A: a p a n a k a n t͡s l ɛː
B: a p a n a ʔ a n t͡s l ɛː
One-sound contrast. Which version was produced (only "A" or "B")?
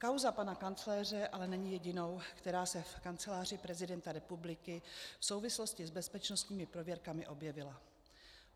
A